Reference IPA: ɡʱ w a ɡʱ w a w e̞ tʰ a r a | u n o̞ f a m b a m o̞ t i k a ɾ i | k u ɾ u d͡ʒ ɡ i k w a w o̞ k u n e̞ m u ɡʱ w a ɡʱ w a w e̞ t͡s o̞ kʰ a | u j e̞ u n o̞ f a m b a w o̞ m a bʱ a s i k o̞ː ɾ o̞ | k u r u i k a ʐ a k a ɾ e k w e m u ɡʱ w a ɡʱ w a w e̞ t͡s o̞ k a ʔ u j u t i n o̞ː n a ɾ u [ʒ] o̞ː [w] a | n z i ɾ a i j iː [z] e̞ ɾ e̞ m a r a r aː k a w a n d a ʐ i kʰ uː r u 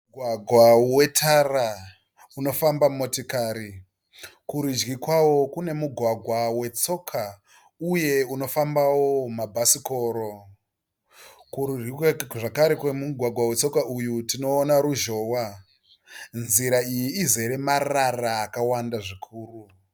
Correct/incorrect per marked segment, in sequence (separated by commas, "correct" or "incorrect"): correct, correct, correct